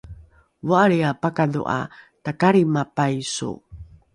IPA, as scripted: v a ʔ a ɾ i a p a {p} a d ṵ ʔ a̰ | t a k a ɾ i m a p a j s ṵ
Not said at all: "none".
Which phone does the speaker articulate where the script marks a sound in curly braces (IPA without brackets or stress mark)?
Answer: k